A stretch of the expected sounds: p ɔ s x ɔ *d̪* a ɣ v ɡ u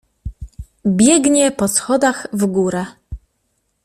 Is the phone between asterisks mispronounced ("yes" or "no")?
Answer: no